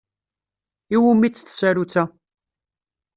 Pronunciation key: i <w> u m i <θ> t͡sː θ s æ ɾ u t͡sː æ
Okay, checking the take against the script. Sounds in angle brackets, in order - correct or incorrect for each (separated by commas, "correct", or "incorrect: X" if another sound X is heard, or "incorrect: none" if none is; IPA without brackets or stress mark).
correct, incorrect: none